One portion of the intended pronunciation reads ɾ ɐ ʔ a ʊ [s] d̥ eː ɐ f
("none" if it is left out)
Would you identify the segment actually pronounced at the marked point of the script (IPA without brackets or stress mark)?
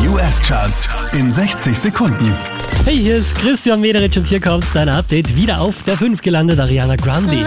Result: f